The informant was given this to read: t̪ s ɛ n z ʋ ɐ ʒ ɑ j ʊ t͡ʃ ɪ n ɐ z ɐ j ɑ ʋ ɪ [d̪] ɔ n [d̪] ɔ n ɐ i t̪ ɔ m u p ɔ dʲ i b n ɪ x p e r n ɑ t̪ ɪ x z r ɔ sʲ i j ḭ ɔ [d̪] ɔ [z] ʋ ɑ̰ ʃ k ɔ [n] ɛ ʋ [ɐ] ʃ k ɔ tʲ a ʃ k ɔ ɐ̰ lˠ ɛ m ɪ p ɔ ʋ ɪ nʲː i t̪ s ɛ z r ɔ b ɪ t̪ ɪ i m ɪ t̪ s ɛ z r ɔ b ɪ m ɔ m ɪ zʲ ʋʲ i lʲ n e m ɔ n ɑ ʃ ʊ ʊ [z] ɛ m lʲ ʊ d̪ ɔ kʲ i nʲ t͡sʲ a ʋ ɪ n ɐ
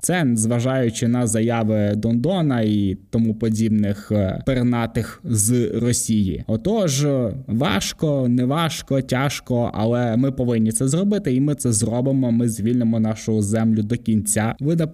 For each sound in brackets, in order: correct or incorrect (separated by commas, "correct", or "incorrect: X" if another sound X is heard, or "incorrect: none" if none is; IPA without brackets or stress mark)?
correct, correct, incorrect: t̪, incorrect: ʒ, correct, incorrect: ɑ, correct